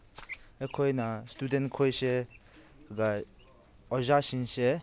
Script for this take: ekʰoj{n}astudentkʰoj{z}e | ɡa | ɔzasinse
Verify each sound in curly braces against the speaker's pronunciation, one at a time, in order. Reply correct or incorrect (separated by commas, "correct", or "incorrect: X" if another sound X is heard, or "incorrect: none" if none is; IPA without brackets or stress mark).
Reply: correct, incorrect: s